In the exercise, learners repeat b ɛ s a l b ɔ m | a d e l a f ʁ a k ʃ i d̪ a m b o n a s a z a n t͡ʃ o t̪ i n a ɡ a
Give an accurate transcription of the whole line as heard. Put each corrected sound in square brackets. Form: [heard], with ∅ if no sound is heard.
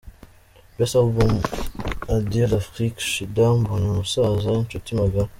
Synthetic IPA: b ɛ s a l b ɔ m | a d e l a f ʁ [i] k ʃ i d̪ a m b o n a s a z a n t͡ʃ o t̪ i [m] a ɡ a